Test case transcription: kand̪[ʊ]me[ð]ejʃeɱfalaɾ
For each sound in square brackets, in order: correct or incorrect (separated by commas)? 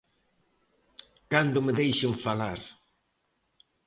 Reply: correct, correct